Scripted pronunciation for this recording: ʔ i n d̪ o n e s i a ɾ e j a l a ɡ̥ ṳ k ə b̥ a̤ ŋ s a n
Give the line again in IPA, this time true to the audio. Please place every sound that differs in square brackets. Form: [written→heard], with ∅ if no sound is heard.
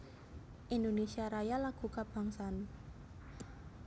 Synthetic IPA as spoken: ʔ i n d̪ o n e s i a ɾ [e→a] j a l a ɡ̥ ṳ k [ə→a] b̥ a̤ ŋ s a n